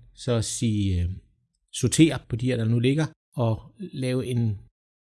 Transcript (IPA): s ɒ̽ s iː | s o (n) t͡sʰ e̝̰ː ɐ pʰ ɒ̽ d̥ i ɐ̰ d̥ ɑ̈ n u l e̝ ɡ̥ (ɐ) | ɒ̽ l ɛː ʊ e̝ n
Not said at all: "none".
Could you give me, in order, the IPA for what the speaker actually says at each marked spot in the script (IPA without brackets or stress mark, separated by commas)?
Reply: none, ɐ